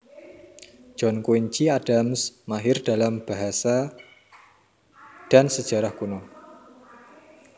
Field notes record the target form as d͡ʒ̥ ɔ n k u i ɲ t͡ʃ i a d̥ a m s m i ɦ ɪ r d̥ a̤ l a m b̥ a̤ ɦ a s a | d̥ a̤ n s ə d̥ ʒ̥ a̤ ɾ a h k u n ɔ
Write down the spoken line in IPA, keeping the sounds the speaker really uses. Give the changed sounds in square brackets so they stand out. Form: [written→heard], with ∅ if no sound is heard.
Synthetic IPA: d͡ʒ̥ ɔ n k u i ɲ t͡ʃ i a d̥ a m s m [i→a] ɦ ɪ r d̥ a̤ l a m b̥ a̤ ɦ a s a | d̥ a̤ n s ə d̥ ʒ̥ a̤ ɾ a h k u n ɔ